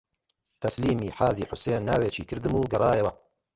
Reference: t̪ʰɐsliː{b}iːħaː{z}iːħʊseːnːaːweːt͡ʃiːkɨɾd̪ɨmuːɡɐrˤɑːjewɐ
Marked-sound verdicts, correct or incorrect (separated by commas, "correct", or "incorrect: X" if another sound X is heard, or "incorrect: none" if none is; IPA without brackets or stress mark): incorrect: m, correct